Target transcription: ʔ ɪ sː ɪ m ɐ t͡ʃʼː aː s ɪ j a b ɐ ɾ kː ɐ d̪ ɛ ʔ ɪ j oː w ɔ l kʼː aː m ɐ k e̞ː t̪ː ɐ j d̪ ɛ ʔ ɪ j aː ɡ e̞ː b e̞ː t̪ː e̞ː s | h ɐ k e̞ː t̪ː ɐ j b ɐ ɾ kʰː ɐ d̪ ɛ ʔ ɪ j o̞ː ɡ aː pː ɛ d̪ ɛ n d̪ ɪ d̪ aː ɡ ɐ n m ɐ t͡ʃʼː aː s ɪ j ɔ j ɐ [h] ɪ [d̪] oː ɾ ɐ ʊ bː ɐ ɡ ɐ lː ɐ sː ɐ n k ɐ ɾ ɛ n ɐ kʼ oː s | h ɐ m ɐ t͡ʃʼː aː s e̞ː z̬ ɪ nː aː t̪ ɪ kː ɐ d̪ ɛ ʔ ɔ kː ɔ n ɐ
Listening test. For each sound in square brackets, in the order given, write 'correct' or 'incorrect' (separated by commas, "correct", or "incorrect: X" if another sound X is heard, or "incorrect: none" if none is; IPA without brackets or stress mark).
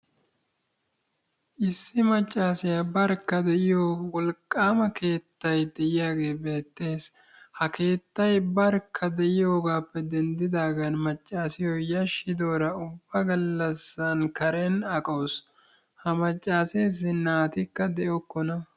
incorrect: ʃ, correct